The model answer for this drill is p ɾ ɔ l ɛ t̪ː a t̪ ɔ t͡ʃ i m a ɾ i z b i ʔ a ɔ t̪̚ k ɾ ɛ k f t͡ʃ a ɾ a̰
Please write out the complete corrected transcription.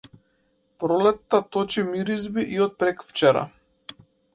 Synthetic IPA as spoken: p ɾ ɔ l ɛ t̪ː a t̪ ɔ t͡ʃ i m i ɾ i z b i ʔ i ɔ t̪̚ p ɾ ɛ k f t͡ʃ ɛ ɾ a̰